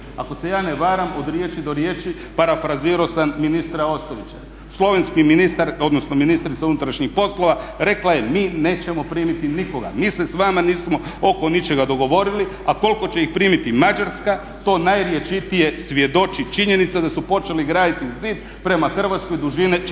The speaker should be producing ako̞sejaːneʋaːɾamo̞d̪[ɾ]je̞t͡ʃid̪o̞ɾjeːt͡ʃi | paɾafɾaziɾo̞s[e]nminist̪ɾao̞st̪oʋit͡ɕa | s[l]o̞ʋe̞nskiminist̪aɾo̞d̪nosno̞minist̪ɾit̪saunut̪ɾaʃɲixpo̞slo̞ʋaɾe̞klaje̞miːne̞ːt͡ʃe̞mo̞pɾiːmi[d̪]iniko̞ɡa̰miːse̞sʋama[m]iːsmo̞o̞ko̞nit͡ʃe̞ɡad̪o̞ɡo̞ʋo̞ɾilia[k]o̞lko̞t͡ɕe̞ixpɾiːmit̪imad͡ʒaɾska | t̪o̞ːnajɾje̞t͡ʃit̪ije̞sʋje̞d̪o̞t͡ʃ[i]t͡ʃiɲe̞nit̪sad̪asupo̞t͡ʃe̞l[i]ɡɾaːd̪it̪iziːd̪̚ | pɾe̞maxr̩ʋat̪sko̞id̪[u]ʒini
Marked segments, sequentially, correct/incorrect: correct, incorrect: a, correct, incorrect: t̪, incorrect: n, correct, correct, correct, correct

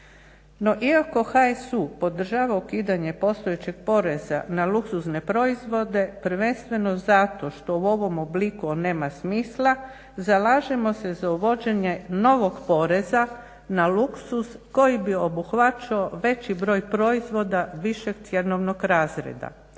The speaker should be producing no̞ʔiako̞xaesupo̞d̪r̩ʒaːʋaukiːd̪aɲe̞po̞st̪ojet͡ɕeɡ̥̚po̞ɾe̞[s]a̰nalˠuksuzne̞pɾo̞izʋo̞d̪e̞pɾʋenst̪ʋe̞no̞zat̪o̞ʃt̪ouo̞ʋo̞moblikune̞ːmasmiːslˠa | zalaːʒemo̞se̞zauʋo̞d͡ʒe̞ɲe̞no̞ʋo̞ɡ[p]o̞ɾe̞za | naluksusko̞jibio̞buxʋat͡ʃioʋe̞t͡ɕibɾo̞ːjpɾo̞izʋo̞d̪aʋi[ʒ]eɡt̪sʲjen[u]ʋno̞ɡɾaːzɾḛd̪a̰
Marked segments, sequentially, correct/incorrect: incorrect: z, correct, incorrect: ʃ, incorrect: o

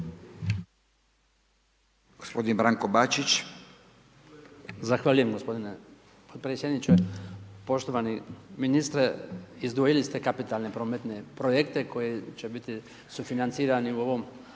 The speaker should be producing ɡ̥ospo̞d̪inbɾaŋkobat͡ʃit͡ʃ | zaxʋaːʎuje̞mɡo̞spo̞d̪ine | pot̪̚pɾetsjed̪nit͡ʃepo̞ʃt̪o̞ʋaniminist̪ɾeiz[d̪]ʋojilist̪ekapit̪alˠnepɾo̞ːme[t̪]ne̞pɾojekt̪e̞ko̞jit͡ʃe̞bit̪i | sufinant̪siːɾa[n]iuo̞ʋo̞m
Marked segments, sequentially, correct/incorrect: correct, correct, correct

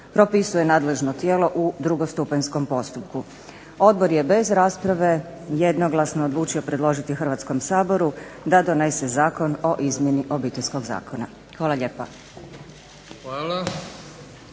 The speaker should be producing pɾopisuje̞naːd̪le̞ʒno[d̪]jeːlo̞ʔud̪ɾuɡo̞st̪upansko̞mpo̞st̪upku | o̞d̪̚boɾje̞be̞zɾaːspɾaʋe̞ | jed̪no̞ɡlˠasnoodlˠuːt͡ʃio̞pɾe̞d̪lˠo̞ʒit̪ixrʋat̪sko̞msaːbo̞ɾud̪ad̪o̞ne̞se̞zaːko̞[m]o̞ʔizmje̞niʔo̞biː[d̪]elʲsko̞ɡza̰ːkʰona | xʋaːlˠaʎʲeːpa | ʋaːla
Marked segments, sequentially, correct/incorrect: incorrect: t̪, incorrect: n, incorrect: t̪

